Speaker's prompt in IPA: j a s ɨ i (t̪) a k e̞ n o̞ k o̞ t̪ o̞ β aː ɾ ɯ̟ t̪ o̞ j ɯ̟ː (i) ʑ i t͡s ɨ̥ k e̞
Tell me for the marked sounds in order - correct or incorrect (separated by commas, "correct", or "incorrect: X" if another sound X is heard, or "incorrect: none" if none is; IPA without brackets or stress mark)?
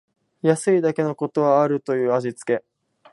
incorrect: d̪, incorrect: a